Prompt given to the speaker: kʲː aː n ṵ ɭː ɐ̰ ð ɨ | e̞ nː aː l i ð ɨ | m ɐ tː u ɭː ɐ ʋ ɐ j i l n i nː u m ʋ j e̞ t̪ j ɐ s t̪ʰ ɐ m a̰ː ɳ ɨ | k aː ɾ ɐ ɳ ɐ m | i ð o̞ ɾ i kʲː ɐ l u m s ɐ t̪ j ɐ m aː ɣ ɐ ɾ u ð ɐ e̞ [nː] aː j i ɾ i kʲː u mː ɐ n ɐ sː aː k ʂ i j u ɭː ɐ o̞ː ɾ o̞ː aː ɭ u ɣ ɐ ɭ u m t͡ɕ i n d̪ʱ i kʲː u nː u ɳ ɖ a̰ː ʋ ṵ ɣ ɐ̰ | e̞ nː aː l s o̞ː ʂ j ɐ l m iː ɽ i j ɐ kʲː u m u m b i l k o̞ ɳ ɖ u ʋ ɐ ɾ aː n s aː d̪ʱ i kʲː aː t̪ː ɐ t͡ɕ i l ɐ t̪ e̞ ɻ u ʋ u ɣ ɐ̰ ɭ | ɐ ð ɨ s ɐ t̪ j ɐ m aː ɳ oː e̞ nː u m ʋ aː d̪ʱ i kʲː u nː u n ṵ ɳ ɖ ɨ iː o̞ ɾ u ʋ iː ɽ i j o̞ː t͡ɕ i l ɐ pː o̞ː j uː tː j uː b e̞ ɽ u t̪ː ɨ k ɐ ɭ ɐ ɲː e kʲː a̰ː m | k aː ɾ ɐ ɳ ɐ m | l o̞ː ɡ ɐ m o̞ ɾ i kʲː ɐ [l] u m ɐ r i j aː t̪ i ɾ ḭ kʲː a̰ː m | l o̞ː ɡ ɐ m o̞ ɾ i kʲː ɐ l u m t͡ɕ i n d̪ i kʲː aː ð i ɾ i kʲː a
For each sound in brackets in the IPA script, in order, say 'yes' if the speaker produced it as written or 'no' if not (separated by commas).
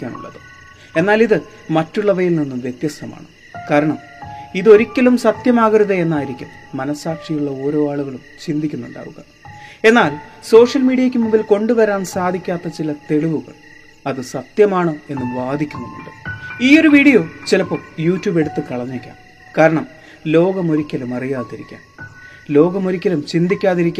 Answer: yes, yes